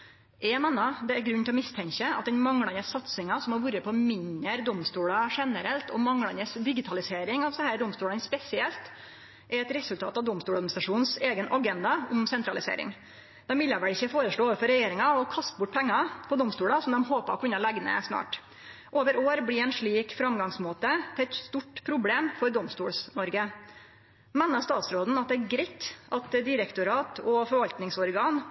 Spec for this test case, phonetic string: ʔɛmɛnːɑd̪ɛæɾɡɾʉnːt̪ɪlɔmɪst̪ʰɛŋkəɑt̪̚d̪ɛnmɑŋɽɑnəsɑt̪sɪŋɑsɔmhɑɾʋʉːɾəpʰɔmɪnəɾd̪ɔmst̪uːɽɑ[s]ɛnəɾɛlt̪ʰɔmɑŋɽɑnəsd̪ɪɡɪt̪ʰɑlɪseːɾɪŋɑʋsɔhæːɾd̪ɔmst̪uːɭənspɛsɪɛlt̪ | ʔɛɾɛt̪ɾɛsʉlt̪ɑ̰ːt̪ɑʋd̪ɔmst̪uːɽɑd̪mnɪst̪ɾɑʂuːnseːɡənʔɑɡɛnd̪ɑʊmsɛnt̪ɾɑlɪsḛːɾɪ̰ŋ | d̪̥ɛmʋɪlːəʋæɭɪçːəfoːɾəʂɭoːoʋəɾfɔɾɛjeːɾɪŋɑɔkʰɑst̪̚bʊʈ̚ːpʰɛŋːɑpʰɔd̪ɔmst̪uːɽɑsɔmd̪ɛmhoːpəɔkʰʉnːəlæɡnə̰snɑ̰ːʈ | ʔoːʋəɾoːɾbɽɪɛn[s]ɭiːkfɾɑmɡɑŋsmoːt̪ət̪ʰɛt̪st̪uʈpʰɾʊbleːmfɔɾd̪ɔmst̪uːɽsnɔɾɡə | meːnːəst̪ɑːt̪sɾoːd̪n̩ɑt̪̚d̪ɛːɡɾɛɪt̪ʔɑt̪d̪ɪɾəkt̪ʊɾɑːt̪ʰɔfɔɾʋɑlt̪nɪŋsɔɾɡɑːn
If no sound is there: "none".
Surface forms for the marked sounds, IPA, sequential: ʂ, ʂ

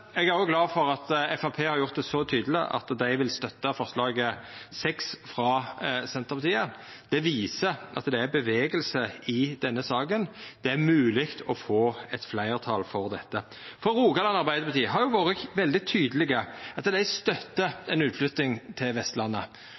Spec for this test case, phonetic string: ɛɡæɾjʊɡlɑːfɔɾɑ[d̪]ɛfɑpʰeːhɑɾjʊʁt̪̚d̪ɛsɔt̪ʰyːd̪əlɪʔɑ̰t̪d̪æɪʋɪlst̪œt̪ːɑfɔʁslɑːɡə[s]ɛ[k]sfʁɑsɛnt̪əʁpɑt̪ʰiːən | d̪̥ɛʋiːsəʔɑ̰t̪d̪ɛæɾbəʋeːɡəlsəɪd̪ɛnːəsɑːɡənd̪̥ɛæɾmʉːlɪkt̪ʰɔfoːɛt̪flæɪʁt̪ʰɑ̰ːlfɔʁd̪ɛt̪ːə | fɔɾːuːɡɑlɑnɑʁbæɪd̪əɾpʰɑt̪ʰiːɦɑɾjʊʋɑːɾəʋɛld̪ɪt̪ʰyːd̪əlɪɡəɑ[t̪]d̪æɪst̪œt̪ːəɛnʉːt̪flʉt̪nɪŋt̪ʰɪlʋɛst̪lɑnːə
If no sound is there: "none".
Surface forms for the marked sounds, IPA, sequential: t̪, s, k, t̪

